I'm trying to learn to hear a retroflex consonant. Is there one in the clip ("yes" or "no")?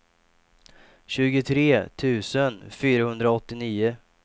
no